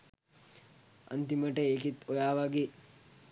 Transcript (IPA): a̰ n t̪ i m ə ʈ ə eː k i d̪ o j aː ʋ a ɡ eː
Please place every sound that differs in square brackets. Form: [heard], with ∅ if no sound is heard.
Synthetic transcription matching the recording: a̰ n t̪ i m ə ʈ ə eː k i [t̪] o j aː ʋ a ɡ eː